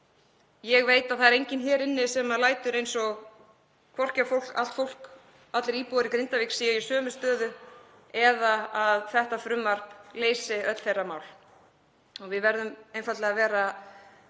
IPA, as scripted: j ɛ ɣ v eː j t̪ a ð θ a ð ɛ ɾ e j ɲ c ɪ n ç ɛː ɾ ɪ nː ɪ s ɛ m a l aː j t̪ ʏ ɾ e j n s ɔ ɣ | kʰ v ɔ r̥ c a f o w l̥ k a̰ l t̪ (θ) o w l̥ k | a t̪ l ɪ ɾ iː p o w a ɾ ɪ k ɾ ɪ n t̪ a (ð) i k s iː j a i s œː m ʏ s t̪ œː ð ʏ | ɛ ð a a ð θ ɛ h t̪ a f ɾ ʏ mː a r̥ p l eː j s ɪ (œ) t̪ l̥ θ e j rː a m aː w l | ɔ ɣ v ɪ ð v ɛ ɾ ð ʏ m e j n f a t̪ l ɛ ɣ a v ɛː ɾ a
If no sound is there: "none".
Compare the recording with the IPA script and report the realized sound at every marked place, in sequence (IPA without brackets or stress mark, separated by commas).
f, v, œ